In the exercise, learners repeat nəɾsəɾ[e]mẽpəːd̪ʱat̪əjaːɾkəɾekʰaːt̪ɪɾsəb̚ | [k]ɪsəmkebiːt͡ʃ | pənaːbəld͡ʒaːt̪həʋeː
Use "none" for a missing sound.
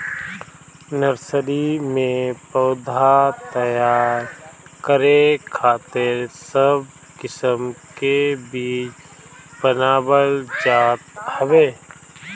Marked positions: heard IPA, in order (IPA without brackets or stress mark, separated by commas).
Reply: i, k